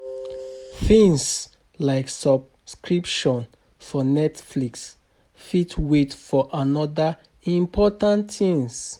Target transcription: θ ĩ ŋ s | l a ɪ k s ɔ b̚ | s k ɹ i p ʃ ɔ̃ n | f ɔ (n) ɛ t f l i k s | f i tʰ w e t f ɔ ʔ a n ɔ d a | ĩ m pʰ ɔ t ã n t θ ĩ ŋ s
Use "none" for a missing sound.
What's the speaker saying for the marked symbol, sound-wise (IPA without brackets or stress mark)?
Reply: n